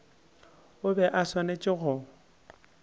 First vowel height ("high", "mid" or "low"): high